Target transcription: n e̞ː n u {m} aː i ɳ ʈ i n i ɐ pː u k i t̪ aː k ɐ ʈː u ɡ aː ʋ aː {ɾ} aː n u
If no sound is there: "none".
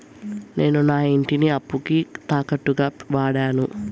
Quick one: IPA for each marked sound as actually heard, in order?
n, ɽ

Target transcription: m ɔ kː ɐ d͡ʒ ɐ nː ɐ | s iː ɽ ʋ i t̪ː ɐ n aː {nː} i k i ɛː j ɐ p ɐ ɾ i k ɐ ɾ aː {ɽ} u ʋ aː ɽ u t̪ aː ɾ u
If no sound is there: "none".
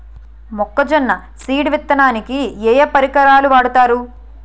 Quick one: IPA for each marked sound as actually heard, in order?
n, l

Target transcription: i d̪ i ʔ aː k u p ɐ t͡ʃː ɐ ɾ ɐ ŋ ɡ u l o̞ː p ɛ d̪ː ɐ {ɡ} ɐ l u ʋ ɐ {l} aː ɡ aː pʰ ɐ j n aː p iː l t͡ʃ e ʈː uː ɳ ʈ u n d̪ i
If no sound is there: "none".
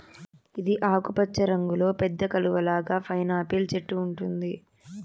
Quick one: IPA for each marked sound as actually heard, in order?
k, l

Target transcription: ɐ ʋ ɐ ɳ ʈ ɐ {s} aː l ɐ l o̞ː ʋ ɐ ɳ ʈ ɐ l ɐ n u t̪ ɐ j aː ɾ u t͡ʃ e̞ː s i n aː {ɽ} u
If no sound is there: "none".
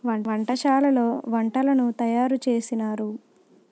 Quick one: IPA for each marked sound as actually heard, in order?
ʃ, ɾ

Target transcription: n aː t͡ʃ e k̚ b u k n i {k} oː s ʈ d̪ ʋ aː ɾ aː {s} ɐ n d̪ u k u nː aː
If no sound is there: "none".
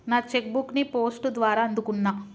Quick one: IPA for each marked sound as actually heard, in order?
p, none

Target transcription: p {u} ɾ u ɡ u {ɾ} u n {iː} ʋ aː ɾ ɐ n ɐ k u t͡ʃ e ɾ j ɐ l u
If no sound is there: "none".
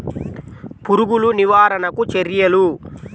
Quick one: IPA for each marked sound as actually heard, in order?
u, l, i

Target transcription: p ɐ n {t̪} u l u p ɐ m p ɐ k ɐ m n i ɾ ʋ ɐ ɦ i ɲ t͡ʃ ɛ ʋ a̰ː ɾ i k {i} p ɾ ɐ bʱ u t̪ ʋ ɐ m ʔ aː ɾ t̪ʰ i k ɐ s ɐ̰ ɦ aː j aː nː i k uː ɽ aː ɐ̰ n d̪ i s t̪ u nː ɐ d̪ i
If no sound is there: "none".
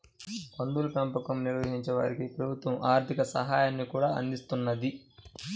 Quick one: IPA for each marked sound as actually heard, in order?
d̪, i

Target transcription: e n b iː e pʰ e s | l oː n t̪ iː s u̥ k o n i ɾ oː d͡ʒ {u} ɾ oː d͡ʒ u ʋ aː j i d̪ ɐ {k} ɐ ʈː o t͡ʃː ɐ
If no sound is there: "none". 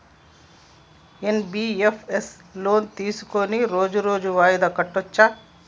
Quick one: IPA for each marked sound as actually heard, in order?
u, k

